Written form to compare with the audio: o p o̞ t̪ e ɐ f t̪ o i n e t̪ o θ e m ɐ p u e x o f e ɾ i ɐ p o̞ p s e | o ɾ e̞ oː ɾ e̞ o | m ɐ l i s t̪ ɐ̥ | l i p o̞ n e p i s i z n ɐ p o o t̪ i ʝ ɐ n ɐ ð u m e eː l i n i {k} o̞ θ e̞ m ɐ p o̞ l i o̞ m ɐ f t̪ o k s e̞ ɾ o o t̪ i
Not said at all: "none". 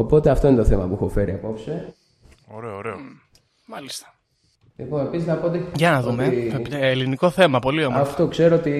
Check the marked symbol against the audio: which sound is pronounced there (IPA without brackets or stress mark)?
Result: k